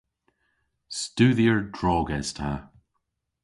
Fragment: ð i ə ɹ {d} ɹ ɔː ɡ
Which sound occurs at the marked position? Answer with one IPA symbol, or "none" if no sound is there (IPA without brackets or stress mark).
d